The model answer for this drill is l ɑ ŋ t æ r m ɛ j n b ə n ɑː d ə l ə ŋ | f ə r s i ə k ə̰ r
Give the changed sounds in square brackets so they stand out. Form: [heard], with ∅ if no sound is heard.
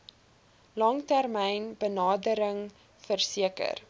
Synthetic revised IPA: l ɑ ŋ t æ r m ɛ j n b ə n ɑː d ə [ɾ] ə ŋ | f ə r s i ə k ə̰ r

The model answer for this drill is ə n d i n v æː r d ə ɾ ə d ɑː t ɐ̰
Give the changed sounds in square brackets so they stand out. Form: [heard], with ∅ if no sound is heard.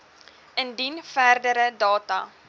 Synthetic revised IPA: ə n d i n [f] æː r d ə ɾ ə d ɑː t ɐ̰

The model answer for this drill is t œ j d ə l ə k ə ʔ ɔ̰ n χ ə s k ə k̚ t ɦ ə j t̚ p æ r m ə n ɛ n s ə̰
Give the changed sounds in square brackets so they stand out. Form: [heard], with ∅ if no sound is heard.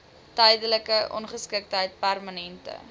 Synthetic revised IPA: t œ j d ə l ə k ə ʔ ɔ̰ n χ ə s k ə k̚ t ɦ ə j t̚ p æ r m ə n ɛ n [t] ə̰

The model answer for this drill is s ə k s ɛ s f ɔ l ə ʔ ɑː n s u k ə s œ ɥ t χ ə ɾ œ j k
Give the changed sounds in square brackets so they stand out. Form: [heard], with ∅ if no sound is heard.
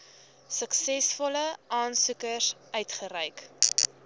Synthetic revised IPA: s ə k s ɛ s f ɔ l ə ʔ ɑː n s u k ə s œ ɥ t χ ə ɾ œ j k

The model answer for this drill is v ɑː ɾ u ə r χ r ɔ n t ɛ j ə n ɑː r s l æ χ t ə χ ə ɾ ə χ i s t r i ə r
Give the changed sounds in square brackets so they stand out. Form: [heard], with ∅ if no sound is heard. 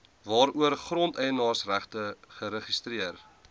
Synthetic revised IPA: v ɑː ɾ u ə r χ r ɔ n t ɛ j ə n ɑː r s [r] æ χ t ə χ ə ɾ ə χ i s t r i ə r

